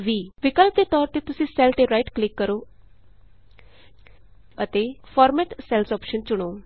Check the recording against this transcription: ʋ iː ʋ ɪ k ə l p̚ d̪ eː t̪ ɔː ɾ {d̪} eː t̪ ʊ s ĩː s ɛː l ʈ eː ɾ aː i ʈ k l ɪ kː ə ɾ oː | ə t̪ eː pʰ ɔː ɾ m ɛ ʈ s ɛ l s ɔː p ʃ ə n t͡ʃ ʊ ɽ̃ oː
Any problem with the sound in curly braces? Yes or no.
yes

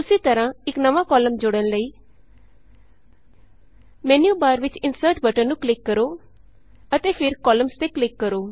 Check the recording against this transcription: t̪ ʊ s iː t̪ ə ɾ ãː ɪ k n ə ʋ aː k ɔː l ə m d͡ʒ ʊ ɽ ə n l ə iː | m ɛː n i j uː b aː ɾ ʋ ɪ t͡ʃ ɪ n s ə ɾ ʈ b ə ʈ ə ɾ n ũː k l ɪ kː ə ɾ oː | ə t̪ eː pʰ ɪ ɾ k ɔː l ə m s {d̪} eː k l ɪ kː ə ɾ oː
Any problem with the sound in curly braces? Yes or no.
yes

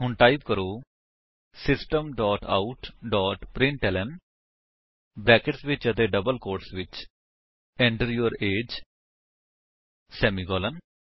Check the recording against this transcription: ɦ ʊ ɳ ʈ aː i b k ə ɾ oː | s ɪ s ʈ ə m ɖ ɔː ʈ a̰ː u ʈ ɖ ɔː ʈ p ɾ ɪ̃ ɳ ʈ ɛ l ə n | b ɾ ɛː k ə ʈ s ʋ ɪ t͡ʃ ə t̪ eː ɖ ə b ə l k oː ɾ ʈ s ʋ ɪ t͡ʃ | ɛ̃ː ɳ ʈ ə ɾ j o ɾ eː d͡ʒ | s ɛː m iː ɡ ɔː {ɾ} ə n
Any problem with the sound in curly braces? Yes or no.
yes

